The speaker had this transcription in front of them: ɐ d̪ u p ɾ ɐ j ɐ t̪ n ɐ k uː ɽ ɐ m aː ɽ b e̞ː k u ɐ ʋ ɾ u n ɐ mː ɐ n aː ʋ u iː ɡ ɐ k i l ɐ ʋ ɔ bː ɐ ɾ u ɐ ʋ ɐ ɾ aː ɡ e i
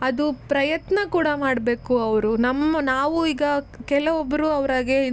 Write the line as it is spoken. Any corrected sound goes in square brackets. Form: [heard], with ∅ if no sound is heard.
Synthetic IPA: ɐ d̪ u p ɾ ɐ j ɐ t̪ n ɐ k uː ɽ ɐ m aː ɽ b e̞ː k u ɐ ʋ ɾ u n ɐ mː ɐ n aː ʋ u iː ɡ ɐ k [ɛ] l ɐ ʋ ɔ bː ɐ ɾ u ɐ ʋ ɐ ɾ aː ɡ e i